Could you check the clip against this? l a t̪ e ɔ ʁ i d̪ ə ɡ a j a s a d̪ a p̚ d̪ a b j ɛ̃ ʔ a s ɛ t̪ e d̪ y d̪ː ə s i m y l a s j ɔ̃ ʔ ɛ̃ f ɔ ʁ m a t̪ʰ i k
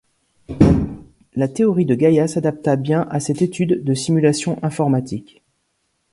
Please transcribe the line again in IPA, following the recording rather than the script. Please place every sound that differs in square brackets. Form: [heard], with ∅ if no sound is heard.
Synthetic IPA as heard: l a t̪ e ɔ ʁ i d̪ ə ɡ a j a s a d̪ a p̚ [t̪] a b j ɛ̃ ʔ a s ɛ t̪ e [t̪] y d̪ː ə s i m y l a s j ɔ̃ ʔ ɛ̃ f ɔ ʁ m a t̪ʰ i k